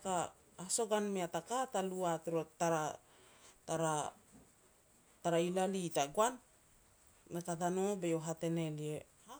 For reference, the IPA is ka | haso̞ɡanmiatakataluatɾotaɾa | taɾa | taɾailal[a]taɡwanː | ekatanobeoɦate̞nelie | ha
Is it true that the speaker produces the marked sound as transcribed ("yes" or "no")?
no